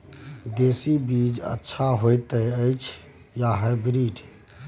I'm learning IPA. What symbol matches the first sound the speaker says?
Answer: d̪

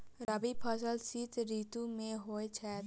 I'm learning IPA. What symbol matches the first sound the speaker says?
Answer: ɾ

